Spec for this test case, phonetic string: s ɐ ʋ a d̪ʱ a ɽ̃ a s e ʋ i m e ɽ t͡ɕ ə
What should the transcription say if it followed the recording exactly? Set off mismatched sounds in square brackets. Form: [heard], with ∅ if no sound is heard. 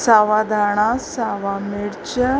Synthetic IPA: s [a] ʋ a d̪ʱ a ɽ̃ a s [a] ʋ [a] m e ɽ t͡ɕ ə